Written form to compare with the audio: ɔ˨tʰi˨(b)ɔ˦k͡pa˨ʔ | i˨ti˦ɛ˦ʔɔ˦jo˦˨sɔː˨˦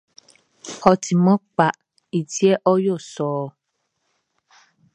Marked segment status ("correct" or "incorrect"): incorrect